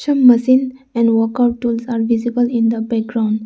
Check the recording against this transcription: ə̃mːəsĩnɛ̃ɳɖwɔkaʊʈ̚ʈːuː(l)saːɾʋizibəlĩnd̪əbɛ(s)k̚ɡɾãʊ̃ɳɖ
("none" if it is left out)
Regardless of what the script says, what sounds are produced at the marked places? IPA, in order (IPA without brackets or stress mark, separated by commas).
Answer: l, none